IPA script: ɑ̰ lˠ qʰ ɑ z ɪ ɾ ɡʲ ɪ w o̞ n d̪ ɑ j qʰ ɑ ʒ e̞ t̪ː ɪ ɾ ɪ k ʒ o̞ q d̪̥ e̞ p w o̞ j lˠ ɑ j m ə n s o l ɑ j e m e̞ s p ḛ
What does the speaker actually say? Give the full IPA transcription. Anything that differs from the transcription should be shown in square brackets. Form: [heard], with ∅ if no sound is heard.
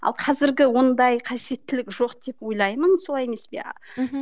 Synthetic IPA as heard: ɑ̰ lˠ qʰ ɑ z ɪ ɾ ɡʲ ɪ w o̞ n d̪ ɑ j qʰ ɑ ʒ e̞ t̪ː ɪ [l] ɪ k ʒ o̞ q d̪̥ e̞ p w o̞ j lˠ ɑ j m ə n s o l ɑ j e m e̞ s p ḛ